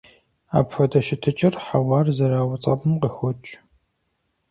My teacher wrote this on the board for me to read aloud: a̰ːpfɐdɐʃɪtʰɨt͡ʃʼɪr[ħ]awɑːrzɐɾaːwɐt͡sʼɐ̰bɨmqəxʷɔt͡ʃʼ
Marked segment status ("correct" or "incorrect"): correct